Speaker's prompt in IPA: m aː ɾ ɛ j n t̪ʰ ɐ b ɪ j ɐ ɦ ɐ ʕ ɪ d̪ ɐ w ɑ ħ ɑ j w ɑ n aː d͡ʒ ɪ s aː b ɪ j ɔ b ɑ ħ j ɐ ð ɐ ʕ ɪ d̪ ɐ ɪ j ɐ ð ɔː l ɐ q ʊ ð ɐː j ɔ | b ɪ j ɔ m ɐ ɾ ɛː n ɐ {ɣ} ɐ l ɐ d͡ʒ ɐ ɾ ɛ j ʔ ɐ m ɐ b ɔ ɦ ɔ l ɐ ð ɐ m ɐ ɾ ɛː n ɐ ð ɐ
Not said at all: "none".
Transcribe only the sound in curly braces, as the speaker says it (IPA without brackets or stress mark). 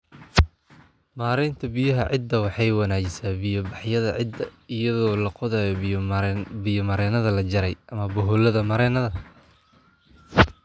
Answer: ð